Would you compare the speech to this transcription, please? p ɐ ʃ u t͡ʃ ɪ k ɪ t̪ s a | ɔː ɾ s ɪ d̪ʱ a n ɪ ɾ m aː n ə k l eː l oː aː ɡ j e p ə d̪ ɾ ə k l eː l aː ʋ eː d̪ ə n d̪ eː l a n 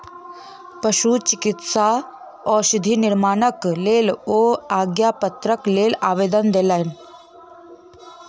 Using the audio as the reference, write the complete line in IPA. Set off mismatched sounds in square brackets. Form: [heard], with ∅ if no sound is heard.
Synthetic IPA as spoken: p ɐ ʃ u t͡ʃ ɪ k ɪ t̪ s a | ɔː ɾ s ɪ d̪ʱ [i] n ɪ ɾ m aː n ə k l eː l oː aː ɡ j [a] p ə [t̪] ɾ ə k l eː l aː ʋ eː d̪ ə n d̪ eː l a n